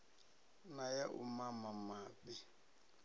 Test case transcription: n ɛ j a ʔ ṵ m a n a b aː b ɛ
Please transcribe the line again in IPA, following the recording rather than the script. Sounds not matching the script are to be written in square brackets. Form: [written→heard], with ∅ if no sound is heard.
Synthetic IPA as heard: n [ɛ→a] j a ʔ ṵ m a [n→m] a [b→m] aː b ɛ

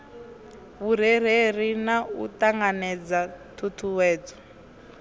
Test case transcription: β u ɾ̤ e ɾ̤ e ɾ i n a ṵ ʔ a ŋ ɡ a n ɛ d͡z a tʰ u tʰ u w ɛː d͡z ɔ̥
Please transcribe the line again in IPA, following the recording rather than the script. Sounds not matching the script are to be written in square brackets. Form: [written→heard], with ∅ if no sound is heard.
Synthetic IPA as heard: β u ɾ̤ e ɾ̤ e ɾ i n a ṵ [ʔ→t] a ŋ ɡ a n ɛ d͡z a tʰ u tʰ u w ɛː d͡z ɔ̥

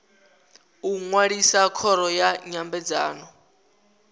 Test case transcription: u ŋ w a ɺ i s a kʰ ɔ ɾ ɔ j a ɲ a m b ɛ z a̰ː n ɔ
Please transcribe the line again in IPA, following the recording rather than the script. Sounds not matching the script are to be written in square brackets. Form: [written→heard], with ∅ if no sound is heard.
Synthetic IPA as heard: u ŋ w a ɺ i s a kʰ ɔ ɾ ɔ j a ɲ a m b ɛ [z→d͡z] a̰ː n ɔ

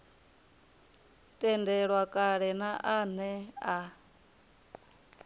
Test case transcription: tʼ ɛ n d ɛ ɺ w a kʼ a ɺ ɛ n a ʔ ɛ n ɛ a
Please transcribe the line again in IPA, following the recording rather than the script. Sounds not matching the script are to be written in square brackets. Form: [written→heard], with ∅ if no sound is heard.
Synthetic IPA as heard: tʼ ɛ n d ɛ ɺ w a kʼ a ɺ ɛ n a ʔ [ɛ→a] n ɛ a

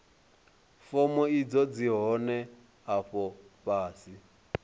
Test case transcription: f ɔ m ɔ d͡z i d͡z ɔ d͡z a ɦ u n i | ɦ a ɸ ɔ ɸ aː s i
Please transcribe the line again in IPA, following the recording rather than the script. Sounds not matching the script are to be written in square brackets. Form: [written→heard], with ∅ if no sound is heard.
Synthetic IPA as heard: f ɔ m ɔ [d͡z→∅] i d͡z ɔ d͡z [a→i] ɦ [u→ɔ] n [i→ɛ] | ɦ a ɸ ɔ ɸ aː s i

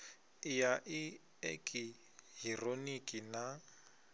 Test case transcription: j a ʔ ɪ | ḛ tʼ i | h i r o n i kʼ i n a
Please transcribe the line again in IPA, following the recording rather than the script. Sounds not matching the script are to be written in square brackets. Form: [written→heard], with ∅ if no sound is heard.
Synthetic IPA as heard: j a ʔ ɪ | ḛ [tʼ→kʼ] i | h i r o n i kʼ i n a

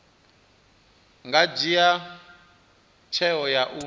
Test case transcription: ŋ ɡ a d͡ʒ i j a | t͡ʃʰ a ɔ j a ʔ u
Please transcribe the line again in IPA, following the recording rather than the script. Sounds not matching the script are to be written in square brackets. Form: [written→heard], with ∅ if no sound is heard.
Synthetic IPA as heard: ŋ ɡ a d͡ʒ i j a | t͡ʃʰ [a→ɛ] ɔ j a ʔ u

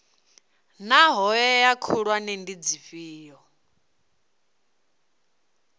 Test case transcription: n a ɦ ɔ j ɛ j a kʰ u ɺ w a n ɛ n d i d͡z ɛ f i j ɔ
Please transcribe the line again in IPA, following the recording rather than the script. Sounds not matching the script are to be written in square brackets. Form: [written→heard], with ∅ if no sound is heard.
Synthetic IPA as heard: n a ɦ ɔ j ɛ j a kʰ u ɺ w a n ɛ n d i d͡z [ɛ→i] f [i→iː] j ɔ

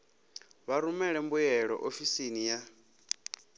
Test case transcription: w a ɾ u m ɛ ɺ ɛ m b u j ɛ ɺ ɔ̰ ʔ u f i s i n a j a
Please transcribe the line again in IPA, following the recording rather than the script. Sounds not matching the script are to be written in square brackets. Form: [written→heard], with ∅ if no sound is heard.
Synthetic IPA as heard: [w→β] a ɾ u m ɛ ɺ ɛ m b u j ɛ ɺ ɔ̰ ʔ [u→o] f i s i n [a→i] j a

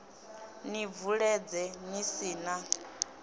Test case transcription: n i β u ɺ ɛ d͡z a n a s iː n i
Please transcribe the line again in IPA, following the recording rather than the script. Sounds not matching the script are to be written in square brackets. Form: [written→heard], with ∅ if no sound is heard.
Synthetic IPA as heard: n i [β→v] u ɺ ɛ d͡z [a→ɛ] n [a→i] s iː n [i→a]

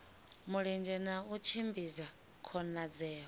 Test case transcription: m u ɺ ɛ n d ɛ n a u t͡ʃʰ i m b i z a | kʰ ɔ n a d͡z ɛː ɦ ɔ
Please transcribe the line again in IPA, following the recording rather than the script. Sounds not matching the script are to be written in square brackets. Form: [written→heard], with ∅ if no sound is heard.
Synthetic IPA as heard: m u ɺ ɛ n [d→d͡ʒ] ɛ n a u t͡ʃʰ i m b i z a | kʰ ɔ n a d͡z ɛː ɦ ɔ

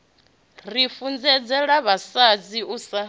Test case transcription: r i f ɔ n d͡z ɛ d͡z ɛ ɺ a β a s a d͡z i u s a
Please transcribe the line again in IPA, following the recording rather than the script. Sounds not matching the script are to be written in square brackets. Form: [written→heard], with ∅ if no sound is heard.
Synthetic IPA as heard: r i f [ɔ→u] n d͡z ɛ d͡z ɛ ɺ a β a s a d͡z i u s a

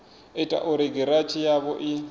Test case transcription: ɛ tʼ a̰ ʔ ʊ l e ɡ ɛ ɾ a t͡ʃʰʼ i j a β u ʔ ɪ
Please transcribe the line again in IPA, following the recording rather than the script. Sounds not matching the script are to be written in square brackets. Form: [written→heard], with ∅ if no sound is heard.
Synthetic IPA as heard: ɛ tʼ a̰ ʔ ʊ [l→ɾ] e ɡ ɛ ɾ a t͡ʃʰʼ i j a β [u→ɔ] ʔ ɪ

